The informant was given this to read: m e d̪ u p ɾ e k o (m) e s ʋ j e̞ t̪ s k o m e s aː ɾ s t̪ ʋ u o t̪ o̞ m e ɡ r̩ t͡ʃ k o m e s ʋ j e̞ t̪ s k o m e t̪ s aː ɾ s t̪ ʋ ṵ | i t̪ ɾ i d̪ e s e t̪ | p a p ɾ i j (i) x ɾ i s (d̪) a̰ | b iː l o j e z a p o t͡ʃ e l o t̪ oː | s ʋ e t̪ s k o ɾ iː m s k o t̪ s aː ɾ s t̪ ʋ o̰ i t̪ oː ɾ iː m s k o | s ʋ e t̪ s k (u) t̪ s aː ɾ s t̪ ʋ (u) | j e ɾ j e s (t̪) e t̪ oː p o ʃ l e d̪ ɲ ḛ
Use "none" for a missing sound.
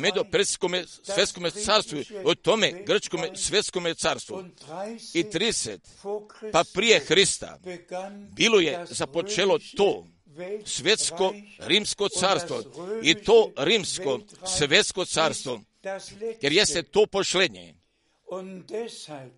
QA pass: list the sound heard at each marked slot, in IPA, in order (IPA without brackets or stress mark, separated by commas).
m, e, t̪, o, o, t̪